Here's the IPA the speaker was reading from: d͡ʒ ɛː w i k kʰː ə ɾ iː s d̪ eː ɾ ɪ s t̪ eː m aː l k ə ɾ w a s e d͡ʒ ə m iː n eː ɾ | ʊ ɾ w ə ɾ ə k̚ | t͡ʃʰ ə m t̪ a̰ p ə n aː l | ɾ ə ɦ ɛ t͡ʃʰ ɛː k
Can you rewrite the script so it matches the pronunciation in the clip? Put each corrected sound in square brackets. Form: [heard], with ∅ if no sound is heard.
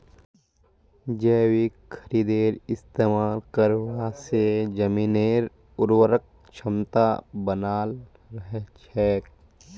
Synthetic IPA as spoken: d͡ʒ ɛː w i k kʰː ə ɾ iː [∅] d̪ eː ɾ ɪ s t̪ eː m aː l k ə ɾ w a s e d͡ʒ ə m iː n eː ɾ | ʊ ɾ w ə ɾ ə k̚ | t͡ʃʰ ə m t̪ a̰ [b] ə n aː l | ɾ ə ɦ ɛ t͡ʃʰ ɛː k

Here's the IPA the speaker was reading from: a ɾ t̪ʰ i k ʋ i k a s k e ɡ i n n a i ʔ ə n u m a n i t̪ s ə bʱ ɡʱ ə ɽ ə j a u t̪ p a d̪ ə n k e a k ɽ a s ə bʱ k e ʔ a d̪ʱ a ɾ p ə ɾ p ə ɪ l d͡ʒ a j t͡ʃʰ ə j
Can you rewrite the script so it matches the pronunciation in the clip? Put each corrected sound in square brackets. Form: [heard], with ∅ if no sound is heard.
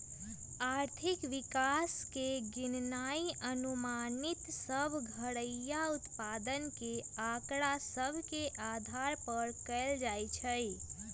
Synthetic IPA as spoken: a ɾ t̪ʰ i k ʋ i k a s k e ɡ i n n a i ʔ ə n u m a n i t̪ s ə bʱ ɡʱ ə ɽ ə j a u t̪ p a d̪ ə n k e a k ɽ a s ə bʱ k e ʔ a d̪ʱ a ɾ p ə ɾ [k] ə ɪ l d͡ʒ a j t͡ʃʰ ə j

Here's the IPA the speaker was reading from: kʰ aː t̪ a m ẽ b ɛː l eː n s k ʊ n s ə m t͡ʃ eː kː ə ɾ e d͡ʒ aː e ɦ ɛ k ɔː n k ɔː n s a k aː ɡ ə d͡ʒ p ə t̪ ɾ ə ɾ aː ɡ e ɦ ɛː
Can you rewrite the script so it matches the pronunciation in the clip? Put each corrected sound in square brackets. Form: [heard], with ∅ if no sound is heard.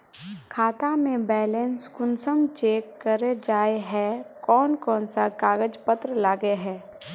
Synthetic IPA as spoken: kʰ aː t̪ a m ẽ b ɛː l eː n s k ʊ n s ə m t͡ʃ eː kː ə ɾ e d͡ʒ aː e ɦ ɛ k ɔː n k ɔː n s a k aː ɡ ə d͡ʒ p ə t̪ ɾ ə [l] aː ɡ e ɦ ɛː

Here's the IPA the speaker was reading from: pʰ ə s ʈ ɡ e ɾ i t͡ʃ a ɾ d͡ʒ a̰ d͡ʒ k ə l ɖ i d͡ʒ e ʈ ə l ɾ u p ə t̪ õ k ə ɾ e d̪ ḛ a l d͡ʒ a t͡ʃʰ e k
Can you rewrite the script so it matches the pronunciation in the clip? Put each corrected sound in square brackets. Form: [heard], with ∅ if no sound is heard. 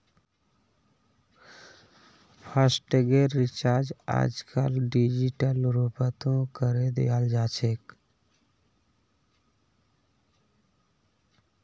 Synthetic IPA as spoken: pʰ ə s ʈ ɡ e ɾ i t͡ʃ a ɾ d͡ʒ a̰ d͡ʒ k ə l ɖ i d͡ʒ [i] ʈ ə l ɾ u p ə t̪ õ k ə ɾ e d̪ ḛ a l d͡ʒ a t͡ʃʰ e k

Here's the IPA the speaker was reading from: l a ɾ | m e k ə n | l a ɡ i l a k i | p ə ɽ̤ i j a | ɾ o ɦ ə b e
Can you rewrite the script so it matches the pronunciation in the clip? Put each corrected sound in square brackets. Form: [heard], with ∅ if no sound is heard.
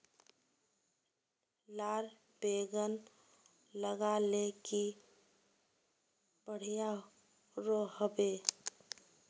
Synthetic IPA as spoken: l a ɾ | [b] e [ɡ] ə n | l [ə] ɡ [a] l [e] k i | [b] ə ɽ̤ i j a | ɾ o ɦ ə b e

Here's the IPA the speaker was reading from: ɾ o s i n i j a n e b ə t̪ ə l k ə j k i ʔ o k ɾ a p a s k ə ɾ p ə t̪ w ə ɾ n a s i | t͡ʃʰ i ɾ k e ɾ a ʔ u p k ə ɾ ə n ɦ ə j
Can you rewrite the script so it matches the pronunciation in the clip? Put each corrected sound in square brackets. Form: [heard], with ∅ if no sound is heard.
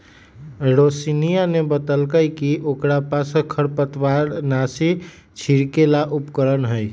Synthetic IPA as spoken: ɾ o s i n i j a n e b ə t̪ ə l k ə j k i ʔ o k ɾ a p a s [kʰ] ə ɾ p ə t̪ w [a] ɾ n a s i | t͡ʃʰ i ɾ k e [l] a ʔ u p k ə ɾ ə n ɦ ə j

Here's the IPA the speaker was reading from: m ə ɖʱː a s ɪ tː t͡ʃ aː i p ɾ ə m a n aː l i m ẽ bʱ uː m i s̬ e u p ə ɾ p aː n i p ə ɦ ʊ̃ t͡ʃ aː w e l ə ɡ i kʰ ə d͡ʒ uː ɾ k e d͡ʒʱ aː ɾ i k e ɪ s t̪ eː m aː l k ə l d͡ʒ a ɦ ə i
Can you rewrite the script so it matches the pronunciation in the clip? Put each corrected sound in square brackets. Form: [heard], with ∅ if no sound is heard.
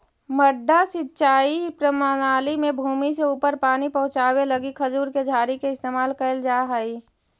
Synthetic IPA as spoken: m ə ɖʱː a s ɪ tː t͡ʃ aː i p ɾ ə m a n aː l i m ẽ bʱ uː m i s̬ e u p ə ɾ p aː n i p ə ɦ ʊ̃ t͡ʃ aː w e l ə ɡ i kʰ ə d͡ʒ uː ɾ k e d͡ʒʱ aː ɾ i k e ɪ s t̪ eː m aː l k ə l d͡ʒ a ɦ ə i

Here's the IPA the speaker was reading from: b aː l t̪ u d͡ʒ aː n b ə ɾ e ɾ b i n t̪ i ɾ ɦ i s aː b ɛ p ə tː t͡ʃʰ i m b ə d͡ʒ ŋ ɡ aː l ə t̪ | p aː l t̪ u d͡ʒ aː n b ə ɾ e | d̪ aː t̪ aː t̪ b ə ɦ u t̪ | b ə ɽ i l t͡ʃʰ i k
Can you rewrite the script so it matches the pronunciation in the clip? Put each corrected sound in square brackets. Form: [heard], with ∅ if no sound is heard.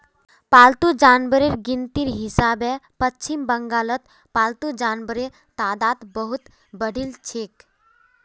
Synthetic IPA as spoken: [p] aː l t̪ u d͡ʒ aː n b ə ɾ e ɾ [ɡ] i n t̪ i ɾ ɦ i s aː b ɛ p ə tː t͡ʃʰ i m b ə [∅] ŋ ɡ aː l ə t̪ | p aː l t̪ u d͡ʒ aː n b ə ɾ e | [t̪] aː [d̪] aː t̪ b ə ɦ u t̪ | b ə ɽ i l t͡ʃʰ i k

